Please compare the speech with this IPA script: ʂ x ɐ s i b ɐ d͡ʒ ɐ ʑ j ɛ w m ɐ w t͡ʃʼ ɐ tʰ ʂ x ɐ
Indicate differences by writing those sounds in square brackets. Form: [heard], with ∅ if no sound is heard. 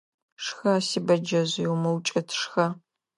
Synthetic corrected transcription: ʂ x ɐ s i b ɐ d͡ʒ ɐ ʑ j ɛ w m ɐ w t͡ʃʼ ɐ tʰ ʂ x ɐ